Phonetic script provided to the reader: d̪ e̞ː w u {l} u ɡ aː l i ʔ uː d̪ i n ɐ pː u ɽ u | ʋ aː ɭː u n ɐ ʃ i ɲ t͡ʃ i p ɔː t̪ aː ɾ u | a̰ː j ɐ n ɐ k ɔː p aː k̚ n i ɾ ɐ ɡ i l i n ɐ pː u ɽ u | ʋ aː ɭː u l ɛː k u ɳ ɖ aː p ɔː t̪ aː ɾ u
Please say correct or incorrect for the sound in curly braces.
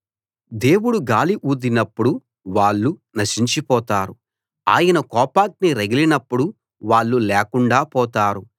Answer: incorrect